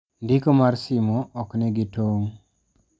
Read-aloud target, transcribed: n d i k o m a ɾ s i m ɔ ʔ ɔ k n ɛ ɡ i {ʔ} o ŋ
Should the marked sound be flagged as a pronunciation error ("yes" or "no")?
yes